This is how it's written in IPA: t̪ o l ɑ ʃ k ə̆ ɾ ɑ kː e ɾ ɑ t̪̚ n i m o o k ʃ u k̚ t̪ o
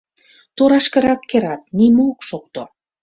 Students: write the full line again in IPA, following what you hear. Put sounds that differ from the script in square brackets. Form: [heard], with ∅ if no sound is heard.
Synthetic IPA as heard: t̪ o [ɾ] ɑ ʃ k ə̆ ɾ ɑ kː e ɾ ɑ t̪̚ n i m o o k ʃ [o] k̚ t̪ o